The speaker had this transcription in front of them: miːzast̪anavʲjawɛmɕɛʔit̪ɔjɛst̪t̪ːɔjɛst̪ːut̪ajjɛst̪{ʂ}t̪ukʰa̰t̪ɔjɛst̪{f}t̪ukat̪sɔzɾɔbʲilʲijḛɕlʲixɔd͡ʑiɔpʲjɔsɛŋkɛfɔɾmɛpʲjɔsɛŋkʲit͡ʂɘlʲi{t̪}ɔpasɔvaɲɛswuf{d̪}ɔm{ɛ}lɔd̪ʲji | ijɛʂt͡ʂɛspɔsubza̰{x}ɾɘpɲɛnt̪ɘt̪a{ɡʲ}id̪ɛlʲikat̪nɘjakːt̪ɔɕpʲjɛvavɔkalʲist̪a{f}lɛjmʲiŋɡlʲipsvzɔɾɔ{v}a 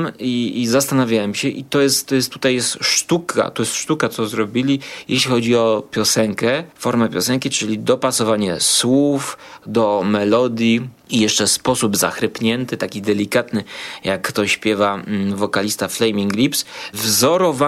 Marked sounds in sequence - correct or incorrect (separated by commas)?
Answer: correct, incorrect, incorrect, correct, correct, correct, incorrect, correct, correct